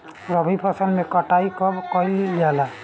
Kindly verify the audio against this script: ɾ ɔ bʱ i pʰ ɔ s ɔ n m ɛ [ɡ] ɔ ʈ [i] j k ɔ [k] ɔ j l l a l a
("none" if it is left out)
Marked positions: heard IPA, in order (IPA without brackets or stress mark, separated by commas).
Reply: k, a, k